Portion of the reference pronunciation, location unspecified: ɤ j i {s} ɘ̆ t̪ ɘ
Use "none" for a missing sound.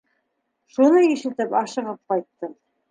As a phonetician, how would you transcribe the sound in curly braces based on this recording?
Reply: ʃ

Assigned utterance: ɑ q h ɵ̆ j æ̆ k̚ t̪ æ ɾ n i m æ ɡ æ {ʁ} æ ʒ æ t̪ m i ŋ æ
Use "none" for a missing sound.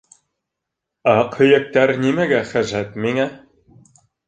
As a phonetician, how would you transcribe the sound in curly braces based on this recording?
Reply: χ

